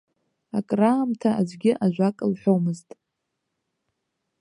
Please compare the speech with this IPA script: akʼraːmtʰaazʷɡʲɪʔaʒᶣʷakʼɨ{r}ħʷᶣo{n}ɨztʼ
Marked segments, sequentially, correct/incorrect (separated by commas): incorrect, incorrect